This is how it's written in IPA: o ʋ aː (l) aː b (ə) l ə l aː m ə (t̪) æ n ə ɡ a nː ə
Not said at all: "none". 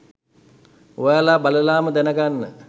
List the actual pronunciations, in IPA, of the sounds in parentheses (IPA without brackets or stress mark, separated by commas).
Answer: l, a, d̪